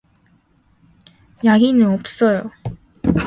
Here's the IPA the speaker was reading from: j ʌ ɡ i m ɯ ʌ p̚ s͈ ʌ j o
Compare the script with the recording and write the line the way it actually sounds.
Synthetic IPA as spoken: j a ɡ i n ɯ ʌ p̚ s͈ ʌ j o